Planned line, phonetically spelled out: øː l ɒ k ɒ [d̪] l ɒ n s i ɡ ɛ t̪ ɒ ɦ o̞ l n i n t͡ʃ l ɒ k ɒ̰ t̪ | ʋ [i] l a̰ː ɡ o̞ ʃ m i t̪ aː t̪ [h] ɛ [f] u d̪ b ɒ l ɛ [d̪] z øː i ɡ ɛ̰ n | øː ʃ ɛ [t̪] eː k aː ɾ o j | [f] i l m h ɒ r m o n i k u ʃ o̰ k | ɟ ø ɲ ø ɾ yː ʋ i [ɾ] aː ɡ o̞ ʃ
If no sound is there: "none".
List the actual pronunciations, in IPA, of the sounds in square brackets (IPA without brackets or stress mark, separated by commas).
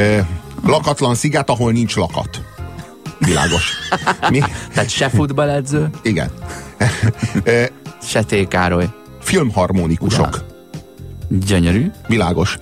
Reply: t̪, i, ʃ, f, d̪, t̪, f, l